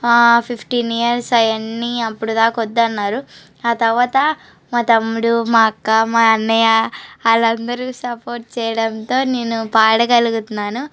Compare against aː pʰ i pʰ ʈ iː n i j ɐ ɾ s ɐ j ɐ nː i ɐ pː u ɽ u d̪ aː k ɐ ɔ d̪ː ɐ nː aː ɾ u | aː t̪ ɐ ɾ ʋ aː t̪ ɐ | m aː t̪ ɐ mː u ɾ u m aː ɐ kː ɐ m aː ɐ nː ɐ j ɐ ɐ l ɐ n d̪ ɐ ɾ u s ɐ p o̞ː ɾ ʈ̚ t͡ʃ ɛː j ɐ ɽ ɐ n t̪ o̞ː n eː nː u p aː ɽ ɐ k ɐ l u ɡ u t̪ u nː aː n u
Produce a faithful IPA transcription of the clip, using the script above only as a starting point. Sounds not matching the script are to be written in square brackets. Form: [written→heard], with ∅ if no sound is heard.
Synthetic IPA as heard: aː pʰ i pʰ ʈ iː n i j ɐ ɾ s ɐ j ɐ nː i ɐ pː u ɽ u d̪ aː k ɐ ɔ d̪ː ɐ nː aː ɾ u | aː t̪ ɐ ɾ ʋ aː t̪ ɐ | m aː t̪ ɐ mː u [ɾ→ɽ] u m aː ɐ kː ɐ m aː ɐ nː ɐ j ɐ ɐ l ɐ n d̪ ɐ ɾ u s ɐ p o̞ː ɾ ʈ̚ t͡ʃ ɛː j ɐ ɽ ɐ n t̪ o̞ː n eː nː u p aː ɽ ɐ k ɐ l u ɡ u t̪ u nː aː n u